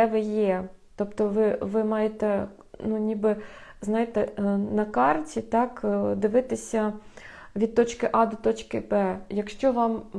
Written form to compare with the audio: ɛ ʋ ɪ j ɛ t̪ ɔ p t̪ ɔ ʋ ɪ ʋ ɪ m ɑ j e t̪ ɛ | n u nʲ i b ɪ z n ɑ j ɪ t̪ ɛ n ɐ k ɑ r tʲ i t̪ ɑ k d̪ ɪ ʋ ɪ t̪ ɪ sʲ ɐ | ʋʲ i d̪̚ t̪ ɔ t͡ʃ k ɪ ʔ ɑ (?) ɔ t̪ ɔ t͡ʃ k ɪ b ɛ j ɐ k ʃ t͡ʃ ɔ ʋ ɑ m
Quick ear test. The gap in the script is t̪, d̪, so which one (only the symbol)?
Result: d̪